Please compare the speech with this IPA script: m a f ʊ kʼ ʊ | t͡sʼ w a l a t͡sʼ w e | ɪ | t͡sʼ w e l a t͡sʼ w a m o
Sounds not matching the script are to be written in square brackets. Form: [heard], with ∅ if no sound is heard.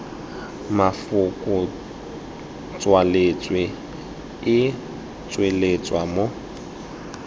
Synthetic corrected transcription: m a f ʊ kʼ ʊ | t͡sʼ w a l [e] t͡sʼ w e | ɪ | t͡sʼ w e l [e] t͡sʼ w a m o